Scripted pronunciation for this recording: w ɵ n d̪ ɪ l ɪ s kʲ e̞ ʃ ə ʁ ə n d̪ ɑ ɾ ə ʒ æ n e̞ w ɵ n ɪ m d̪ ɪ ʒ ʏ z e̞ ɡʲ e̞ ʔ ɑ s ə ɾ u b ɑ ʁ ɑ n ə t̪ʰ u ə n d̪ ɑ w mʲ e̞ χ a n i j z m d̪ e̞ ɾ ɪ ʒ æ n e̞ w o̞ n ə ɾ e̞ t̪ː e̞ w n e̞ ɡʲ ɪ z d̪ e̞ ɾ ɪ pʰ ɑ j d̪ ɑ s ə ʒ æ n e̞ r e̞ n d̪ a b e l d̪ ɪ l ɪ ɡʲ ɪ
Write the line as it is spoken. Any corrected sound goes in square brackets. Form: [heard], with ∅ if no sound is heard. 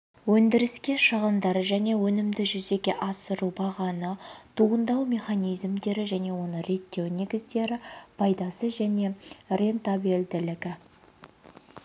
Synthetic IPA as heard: w ɵ n d̪ ɪ [ɾ] ɪ s kʲ e̞ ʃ ə ʁ ə n d̪ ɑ ɾ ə ʒ æ n e̞ w ɵ n ɪ m d̪ ɪ ʒ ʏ z e̞ ɡʲ e̞ ʔ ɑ s ə ɾ u b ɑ ʁ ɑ n ə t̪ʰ u ə n d̪ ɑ w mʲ e̞ χ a n i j z m d̪ e̞ ɾ ɪ ʒ æ n e̞ w o̞ n ə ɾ e̞ t̪ː e̞ w n e̞ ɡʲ ɪ z d̪ e̞ ɾ ɪ pʰ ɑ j d̪ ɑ s ə ʒ æ n e̞ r e̞ n [t̪] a b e l d̪ ɪ l ɪ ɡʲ ɪ